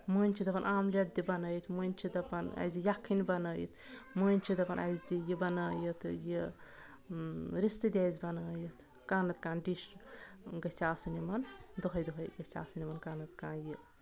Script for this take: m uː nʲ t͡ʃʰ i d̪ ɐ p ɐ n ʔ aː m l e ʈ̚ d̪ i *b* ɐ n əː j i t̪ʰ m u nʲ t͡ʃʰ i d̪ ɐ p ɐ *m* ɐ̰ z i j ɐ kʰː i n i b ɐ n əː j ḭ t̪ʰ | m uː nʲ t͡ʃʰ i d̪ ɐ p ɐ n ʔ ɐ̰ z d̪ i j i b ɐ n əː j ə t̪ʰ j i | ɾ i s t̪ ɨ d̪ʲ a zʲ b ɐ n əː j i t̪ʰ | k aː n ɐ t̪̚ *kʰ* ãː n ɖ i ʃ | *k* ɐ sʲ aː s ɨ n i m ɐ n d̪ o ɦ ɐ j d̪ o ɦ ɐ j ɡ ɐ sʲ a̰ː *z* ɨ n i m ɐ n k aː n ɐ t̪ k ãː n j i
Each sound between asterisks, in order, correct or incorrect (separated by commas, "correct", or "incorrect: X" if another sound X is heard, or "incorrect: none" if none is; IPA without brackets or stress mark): correct, incorrect: n, incorrect: k, incorrect: ɡ, incorrect: s